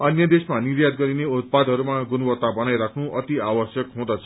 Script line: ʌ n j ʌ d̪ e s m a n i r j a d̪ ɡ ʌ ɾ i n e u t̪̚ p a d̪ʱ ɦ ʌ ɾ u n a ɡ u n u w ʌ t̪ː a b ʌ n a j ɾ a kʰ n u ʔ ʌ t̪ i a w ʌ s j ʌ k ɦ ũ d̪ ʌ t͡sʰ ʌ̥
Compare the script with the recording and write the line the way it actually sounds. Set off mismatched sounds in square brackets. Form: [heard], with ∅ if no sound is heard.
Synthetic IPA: ʌ n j ʌ d̪ e s m a n i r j a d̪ ɡ ʌ ɾ i n e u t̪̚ p a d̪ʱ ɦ ʌ ɾ u [m] a ɡ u n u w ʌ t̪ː a b ʌ n a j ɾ a kʰ n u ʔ ʌ t̪ i a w ʌ s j ʌ k ɦ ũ d̪ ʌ t͡sʰ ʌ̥